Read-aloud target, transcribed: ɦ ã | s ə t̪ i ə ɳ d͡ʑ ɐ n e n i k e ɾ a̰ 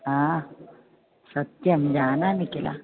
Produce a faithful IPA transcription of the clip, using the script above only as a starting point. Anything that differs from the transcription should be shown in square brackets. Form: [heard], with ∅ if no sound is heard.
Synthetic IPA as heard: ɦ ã | s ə t̪ [j] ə [m] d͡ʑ [a] n [a] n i k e [l] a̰